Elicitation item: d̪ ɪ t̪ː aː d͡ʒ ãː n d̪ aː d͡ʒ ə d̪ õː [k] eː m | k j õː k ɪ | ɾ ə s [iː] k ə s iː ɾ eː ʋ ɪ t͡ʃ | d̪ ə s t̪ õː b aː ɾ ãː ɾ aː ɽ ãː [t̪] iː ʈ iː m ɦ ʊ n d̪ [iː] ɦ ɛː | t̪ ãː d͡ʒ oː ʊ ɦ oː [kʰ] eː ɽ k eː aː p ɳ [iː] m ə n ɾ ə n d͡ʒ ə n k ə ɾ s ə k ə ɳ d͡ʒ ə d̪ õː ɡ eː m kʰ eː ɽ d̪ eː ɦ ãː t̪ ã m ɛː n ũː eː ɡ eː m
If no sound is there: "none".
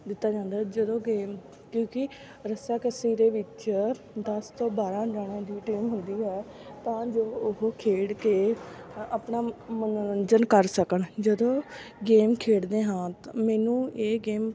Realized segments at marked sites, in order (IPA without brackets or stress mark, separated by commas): ɡ, aː, d̪, iː, kʰ, aː